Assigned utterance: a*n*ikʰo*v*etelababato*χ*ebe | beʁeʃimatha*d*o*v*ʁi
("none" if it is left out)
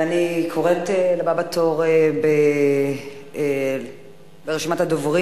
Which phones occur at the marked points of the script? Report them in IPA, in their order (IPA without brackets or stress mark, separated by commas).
n, ʁ, ʁ, d, v